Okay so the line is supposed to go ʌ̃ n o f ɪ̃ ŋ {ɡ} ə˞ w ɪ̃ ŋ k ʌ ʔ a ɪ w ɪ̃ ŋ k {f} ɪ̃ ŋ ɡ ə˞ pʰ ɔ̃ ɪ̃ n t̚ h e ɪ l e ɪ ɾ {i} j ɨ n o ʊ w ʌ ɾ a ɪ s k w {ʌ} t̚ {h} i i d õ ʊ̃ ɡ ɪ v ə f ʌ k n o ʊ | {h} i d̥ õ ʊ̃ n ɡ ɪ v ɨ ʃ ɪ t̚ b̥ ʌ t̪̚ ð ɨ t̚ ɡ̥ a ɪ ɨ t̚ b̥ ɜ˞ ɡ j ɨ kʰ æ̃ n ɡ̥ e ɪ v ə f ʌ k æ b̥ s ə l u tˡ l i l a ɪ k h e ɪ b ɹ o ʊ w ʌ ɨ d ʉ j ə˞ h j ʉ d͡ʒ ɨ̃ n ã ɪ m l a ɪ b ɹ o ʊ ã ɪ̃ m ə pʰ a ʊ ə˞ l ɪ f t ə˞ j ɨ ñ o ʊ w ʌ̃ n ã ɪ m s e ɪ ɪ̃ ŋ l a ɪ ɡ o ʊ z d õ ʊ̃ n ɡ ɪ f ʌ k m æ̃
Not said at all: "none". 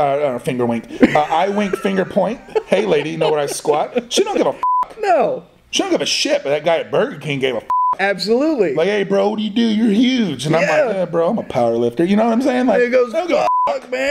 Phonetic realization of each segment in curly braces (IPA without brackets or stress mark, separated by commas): ɡ, f, i, ɑ, ʃ, ʃ